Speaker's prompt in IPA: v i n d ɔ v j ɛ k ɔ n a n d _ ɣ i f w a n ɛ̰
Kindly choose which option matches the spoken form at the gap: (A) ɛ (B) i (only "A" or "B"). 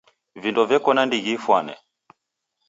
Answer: B